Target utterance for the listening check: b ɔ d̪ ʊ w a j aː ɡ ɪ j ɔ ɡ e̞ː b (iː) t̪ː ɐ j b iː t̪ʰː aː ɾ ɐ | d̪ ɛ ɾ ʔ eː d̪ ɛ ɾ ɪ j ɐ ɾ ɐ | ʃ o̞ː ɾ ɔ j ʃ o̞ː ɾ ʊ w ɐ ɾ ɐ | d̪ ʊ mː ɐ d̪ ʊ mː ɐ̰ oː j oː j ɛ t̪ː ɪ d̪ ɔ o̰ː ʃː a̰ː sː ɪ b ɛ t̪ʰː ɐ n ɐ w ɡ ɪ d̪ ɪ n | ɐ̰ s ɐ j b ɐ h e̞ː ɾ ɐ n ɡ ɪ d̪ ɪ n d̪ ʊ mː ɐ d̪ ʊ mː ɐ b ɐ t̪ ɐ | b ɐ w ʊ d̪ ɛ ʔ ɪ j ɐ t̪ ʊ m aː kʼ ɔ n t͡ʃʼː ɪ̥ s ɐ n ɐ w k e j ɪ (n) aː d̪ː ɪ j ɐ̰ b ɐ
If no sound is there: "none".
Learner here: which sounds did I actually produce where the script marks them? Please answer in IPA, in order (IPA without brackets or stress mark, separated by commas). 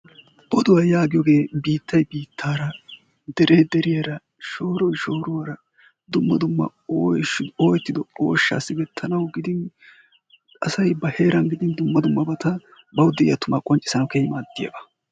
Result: iː, m